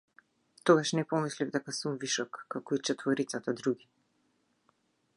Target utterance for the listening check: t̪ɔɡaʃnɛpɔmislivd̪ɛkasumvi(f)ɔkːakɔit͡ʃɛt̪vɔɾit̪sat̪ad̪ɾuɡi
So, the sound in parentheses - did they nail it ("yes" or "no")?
no